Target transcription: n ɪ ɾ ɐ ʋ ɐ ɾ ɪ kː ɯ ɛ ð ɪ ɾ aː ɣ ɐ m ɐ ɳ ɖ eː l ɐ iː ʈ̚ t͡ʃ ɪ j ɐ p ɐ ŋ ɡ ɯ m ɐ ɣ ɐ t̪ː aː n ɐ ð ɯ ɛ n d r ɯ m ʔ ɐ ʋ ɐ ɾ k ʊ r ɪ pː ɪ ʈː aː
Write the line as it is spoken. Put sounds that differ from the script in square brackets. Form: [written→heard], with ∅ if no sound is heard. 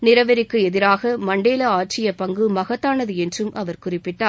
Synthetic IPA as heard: n ɪ ɾ ɐ ʋ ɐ ɾ ɪ kː ɯ ɛ ð ɪ ɾ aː ɣ ɐ m ɐ ɳ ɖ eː l ɐ [iː→aː] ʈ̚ t͡ʃ ɪ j ɐ p ɐ ŋ ɡ ɯ m ɐ ɣ ɐ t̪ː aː n ɐ ð ɯ ɛ n d r ɯ m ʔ ɐ ʋ ɐ ɾ k ʊ r ɪ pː ɪ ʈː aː